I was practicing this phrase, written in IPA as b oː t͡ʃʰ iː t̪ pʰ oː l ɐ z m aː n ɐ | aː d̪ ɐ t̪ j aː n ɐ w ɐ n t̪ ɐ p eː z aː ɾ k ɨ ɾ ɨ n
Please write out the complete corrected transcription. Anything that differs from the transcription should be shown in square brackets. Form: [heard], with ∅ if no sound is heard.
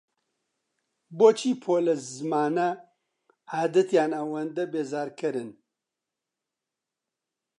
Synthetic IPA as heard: b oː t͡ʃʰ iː [∅] pʰ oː l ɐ z m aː n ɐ | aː d̪ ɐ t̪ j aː n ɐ w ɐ n [d̪] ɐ [b] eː z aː ɾ k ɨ ɾ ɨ n

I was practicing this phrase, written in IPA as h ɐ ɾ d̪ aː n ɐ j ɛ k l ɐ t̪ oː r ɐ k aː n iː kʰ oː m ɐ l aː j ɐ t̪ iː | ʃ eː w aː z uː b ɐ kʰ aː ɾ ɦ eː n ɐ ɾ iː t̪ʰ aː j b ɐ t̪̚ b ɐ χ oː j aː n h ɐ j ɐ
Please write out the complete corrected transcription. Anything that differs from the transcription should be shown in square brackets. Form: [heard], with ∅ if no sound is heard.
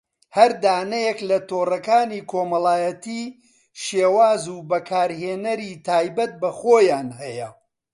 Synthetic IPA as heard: h ɐ ɾ d̪ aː n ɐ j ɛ k l ɐ t̪ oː r ɐ k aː n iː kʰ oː m ɐ l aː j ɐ t̪ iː | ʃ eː w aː z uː b ɐ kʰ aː ɾ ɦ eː n ɐ ɾ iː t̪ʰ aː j b ɐ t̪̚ b ɐ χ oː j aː n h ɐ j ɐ

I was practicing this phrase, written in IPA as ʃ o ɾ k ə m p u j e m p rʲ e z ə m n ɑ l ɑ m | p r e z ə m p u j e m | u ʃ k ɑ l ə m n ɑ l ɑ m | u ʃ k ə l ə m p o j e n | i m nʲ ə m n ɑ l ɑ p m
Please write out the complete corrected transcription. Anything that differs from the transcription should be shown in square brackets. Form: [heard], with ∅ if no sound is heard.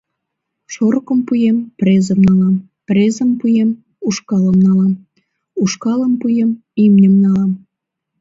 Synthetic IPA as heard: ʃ o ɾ k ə m p u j e m p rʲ e z ə m n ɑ l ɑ m | p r e z ə m p u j e m | u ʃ k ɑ l ə m n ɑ l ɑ m | u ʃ k [ɑ] l ə m p [u] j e [m] | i m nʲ ə m n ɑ l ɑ [∅] m

